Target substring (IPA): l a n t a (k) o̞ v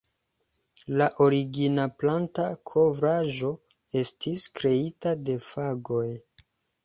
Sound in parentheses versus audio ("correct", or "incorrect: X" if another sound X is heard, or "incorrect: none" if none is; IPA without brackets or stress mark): incorrect: kʰ